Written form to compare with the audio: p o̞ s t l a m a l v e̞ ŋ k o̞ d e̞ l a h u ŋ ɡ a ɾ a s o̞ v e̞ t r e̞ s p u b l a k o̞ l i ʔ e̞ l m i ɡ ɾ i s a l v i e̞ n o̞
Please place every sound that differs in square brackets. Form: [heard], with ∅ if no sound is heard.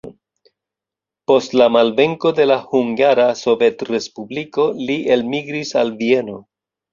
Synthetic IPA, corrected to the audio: p o̞ s t l a m a l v e̞ ŋ k o̞ d e̞ l a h u ŋ ɡ a ɾ a s o̞ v e̞ t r e̞ s p u b l [i] k o̞ l i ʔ e̞ l m i ɡ ɾ i s a l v i e̞ n o̞